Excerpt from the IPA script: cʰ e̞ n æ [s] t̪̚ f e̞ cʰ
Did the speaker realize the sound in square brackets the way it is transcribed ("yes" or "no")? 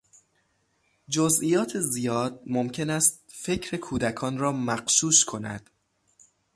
yes